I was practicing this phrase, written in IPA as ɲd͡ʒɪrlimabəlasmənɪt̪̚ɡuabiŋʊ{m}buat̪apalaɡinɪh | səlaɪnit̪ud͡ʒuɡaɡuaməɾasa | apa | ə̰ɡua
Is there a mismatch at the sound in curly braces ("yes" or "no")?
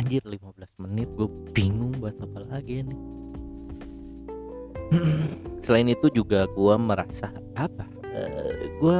yes